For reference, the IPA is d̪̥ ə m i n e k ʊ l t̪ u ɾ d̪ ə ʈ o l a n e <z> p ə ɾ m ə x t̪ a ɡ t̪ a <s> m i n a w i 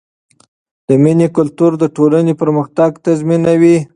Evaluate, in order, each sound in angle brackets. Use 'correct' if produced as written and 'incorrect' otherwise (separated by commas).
incorrect, incorrect